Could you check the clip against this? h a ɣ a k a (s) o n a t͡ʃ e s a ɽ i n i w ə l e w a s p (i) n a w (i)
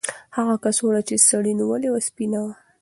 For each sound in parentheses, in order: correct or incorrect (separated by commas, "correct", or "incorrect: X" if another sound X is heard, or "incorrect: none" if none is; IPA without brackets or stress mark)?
correct, correct, incorrect: a